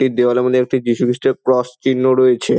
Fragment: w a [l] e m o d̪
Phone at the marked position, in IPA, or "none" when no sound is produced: l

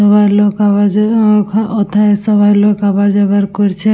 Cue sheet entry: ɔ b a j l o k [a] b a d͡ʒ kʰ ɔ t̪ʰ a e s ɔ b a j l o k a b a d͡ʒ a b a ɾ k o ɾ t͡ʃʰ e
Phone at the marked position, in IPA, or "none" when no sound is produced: a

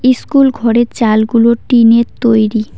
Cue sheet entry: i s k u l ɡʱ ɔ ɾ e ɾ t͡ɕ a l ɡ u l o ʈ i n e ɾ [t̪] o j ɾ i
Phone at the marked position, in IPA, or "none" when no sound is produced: t̪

